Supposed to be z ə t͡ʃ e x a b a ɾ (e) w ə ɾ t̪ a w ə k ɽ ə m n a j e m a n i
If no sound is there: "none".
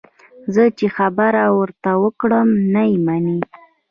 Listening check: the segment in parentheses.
a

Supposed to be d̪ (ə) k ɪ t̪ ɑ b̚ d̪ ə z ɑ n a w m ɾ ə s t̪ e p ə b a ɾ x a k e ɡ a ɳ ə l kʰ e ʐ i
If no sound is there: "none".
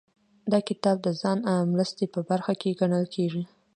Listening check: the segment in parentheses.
ɑ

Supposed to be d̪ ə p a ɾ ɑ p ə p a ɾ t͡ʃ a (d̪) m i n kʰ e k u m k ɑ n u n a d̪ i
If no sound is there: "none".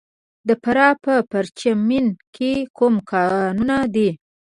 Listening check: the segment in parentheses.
none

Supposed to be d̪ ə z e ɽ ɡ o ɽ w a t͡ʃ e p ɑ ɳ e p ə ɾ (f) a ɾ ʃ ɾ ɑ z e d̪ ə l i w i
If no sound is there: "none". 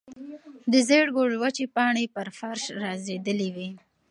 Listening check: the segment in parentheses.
f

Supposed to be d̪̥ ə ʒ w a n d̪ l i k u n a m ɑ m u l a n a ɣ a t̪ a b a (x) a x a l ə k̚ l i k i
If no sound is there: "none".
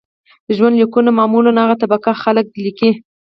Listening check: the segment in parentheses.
k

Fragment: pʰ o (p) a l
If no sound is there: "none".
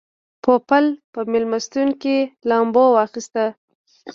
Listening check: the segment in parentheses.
p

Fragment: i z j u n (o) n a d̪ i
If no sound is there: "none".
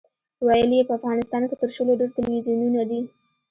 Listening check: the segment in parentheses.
u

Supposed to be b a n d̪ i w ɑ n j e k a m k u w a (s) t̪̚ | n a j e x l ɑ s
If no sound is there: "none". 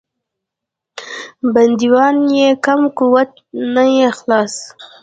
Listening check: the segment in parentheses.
none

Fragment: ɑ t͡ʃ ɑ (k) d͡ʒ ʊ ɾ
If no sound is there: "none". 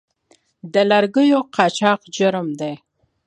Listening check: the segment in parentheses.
q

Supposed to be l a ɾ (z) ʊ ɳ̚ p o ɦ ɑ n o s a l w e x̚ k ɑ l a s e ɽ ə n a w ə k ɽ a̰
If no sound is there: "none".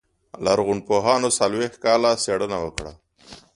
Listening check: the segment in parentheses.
ɣ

